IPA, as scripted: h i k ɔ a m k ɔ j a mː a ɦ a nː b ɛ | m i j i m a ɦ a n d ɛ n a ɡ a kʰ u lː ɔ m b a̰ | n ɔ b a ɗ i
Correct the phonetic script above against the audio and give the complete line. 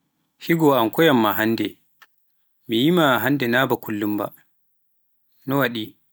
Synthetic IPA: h i ɡ ɔ a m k ɔ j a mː a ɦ a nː d ɛ | m i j i m a ɦ a n d ɛ n a b a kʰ u lː u m b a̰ | n ɔ w a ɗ i